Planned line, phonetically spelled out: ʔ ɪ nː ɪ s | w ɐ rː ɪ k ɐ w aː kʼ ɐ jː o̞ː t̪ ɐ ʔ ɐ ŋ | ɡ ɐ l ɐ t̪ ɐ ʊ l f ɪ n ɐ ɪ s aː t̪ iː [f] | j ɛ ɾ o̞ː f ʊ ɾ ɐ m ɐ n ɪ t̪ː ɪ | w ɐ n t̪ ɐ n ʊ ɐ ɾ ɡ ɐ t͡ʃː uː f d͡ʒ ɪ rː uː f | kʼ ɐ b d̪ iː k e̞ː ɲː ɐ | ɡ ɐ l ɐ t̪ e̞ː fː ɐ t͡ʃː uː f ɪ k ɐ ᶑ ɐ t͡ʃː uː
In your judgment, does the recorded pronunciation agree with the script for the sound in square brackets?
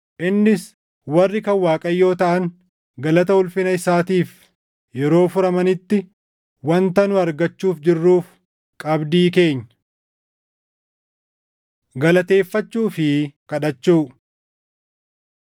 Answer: yes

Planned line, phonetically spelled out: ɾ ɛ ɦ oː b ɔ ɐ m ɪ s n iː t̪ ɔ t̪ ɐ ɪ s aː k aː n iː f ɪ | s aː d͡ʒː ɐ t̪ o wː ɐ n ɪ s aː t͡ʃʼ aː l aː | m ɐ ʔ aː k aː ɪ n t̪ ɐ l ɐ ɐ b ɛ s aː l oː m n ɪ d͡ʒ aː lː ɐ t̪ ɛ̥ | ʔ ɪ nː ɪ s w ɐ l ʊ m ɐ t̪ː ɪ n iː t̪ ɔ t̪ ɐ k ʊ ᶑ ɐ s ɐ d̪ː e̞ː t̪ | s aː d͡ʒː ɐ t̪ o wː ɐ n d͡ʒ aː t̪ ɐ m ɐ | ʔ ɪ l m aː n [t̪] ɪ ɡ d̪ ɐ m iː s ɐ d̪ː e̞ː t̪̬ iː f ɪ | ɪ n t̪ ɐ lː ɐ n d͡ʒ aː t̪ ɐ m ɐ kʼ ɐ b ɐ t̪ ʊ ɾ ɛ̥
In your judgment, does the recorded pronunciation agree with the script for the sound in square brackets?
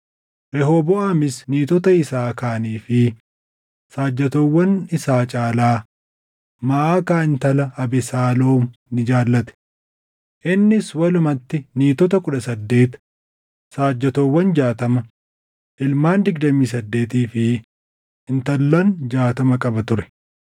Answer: no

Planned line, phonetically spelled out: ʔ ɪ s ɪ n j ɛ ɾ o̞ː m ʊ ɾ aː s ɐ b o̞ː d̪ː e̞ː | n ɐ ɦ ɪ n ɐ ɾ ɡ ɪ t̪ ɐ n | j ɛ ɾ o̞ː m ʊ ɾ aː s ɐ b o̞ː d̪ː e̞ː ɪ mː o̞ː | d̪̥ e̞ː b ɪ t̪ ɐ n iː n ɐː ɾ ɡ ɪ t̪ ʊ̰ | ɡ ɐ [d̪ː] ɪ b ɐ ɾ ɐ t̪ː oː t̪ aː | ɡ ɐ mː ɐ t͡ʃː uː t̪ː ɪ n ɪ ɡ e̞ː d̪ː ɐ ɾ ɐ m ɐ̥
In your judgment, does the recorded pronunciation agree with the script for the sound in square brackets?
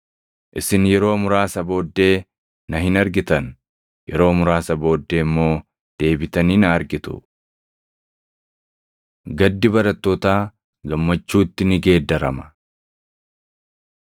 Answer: yes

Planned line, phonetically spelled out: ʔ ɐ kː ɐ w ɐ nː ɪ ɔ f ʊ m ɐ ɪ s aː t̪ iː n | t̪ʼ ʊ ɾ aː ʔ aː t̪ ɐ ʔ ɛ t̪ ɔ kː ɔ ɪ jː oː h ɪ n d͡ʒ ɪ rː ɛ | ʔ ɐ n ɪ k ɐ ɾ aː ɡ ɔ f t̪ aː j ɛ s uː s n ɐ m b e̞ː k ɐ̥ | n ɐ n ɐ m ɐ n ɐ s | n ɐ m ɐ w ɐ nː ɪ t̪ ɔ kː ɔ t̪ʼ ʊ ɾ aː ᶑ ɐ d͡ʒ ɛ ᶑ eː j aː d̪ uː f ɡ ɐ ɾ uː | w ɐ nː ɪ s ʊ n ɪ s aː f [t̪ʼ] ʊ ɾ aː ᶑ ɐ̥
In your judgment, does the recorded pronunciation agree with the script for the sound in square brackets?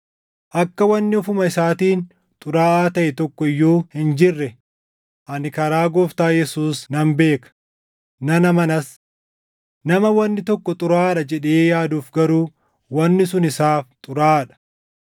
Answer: yes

